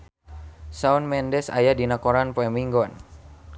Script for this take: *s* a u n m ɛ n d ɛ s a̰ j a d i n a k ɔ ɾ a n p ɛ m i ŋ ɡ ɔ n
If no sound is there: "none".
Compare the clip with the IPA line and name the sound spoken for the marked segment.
s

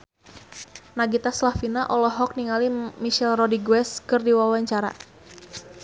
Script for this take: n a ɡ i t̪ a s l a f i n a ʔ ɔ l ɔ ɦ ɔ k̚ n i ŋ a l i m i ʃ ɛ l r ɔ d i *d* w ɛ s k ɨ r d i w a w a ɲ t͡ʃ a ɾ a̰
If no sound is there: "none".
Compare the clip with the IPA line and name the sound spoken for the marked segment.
ɡ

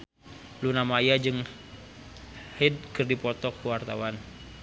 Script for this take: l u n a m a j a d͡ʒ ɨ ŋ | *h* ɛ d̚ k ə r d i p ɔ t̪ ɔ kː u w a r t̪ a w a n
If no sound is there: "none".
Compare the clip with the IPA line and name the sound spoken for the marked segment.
h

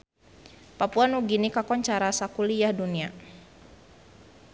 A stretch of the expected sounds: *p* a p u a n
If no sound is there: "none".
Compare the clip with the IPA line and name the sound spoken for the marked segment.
p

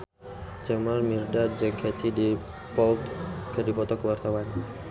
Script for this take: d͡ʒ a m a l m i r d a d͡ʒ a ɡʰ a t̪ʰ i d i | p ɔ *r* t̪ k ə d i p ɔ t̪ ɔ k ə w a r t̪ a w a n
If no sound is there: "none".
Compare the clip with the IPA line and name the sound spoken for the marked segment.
l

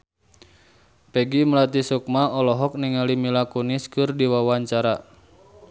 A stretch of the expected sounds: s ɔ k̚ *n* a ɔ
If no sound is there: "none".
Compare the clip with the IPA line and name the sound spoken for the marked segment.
m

